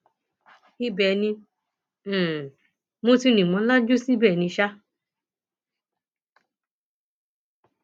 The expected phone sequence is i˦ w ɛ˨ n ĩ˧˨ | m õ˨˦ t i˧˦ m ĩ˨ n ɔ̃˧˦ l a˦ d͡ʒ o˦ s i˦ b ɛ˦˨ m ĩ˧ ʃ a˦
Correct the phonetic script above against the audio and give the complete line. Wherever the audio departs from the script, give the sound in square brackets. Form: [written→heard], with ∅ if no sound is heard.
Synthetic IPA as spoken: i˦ [w→b] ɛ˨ n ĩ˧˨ | m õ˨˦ t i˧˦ [m→n] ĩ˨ [n→m] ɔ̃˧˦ l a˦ d͡ʒ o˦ s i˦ b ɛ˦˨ [m→n] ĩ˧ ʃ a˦